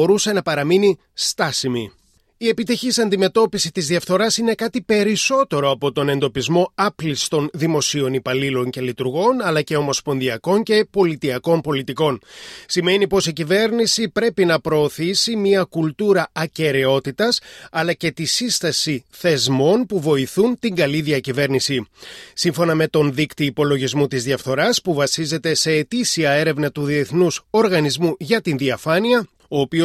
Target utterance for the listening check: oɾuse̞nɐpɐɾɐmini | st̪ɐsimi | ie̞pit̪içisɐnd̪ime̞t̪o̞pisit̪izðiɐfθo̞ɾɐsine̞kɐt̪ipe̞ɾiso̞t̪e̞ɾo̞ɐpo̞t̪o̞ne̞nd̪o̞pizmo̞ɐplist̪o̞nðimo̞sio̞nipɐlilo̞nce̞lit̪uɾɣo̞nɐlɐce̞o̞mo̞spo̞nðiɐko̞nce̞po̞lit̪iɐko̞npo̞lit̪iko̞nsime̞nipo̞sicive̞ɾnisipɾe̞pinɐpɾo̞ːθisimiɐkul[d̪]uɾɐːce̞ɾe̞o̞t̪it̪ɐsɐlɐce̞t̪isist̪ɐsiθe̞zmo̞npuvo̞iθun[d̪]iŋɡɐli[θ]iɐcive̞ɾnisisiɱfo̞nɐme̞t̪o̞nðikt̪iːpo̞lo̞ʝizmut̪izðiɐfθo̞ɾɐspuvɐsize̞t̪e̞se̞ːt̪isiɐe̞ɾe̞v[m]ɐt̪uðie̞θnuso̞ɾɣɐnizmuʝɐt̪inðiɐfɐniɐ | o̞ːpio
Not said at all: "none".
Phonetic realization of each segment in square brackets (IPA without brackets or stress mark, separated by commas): t̪, t̪, ð, n